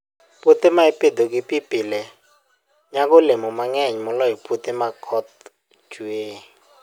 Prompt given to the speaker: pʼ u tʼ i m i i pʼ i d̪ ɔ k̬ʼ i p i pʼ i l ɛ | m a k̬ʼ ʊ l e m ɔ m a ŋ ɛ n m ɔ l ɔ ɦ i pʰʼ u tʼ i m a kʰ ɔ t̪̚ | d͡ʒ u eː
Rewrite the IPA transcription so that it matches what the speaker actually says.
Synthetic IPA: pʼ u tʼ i m a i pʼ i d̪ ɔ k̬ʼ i p i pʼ i l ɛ | ɲ a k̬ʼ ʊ l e m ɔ m a ŋ ɛ ɲ m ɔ l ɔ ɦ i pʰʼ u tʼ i m a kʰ ɔ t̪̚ | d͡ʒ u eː